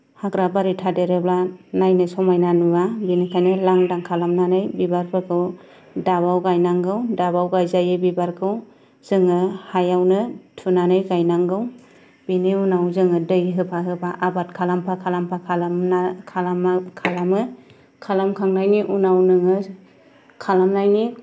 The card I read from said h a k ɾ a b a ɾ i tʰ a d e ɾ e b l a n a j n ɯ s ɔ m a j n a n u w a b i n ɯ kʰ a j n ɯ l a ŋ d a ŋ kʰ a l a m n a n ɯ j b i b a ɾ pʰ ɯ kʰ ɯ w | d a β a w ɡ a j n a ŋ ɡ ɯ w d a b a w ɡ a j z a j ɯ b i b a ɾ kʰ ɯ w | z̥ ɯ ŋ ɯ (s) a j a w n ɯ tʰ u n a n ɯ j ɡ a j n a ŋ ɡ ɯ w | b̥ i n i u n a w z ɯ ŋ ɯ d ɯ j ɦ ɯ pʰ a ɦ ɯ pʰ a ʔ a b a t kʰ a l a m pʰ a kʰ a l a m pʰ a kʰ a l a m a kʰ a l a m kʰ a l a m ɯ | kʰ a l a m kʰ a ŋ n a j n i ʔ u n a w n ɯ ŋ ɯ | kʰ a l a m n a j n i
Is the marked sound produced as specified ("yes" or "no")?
no